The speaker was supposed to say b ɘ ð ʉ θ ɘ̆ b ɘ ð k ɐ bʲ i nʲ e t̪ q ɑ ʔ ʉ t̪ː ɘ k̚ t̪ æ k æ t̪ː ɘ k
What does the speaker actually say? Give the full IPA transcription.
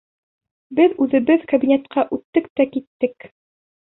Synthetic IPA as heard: b ɘ ð ʉ ð ɘ̆ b ɘ ð k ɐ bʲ i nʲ e t̪ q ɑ ʔ ʉ t̪ː ɘ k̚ t̪ æ k i t̪ː ɘ k